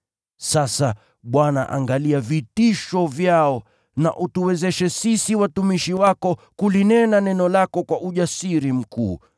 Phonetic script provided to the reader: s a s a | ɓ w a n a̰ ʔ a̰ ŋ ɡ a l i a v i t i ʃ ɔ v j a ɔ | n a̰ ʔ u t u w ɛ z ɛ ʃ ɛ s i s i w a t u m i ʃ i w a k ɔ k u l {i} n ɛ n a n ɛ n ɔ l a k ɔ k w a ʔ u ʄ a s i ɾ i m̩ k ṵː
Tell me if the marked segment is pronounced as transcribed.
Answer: yes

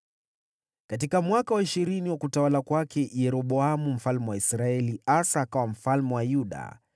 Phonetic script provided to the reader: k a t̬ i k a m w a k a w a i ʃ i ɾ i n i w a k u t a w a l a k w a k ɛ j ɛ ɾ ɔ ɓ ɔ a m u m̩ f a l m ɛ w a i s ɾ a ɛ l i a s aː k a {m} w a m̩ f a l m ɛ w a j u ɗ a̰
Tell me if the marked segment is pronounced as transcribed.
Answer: no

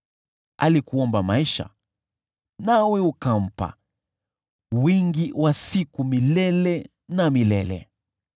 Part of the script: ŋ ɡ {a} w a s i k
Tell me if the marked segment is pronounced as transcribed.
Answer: no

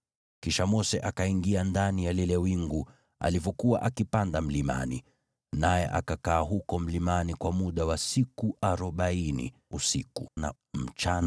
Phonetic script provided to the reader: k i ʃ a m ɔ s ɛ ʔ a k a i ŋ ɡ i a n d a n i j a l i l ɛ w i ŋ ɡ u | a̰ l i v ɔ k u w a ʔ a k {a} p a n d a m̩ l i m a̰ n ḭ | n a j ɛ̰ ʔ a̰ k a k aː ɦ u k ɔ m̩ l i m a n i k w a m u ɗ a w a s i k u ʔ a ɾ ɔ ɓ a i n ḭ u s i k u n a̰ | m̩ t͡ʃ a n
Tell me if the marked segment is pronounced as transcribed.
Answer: no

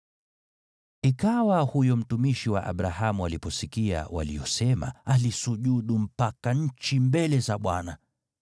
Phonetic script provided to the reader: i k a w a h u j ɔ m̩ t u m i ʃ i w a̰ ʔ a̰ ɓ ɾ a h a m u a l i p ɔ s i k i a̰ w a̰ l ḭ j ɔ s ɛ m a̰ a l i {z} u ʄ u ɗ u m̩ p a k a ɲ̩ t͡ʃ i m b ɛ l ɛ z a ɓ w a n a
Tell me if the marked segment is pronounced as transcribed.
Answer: no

